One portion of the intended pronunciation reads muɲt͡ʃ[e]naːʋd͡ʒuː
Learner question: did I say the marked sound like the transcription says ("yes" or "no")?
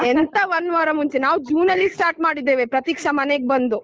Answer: yes